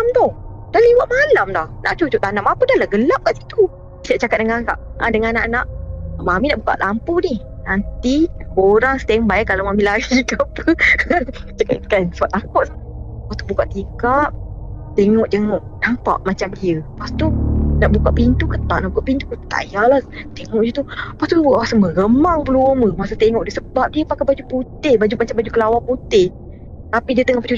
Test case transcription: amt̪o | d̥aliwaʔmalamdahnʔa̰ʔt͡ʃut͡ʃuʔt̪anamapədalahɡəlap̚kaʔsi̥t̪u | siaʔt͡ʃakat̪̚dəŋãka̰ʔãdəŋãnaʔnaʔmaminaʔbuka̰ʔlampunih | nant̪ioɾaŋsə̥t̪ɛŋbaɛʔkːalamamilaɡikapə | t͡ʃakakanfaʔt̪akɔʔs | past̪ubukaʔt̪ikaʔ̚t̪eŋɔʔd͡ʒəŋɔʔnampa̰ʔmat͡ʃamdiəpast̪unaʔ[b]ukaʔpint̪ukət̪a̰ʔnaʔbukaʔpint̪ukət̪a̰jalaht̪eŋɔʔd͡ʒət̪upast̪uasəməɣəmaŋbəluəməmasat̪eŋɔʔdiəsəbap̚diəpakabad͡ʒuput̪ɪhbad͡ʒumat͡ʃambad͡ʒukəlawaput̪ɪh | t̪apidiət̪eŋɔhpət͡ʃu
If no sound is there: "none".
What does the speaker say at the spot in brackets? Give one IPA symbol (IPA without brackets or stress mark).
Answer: b